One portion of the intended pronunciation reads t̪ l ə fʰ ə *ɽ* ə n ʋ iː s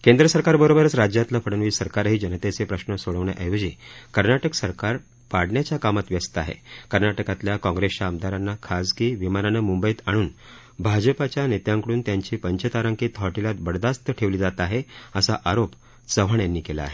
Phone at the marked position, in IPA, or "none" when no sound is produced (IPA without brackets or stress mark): ɽ